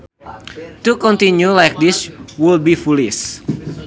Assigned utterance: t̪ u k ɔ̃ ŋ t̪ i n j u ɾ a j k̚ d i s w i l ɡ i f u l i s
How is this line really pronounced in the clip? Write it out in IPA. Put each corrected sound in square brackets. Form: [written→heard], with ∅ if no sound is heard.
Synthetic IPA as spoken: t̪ u k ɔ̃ [ŋ→n] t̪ i n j u [ɾ→l] a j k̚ d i s w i l [ɡ→b] i f u l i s